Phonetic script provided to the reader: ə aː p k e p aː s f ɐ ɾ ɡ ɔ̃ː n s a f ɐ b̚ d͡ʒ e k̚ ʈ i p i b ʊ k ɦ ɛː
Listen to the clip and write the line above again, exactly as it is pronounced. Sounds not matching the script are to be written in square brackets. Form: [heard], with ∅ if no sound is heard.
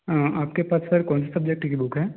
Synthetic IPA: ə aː p k e p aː s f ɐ ɾ [k] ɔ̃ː n s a [s] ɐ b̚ d͡ʒ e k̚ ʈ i [k] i b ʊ k ɦ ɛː